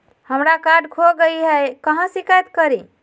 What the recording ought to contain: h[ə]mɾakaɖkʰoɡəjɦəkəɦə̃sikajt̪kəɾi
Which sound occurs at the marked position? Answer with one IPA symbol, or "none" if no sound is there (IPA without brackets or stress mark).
ə